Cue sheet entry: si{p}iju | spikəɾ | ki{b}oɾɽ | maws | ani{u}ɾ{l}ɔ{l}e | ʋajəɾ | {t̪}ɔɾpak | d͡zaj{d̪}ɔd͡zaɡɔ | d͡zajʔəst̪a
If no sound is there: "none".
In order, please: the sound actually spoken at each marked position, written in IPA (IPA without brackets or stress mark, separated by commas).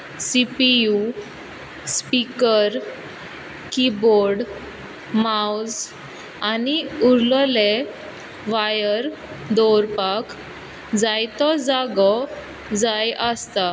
p, b, u, l, l, d̪, t̪